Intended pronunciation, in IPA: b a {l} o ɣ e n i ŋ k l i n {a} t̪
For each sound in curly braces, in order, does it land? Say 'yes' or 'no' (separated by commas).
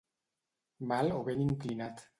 yes, yes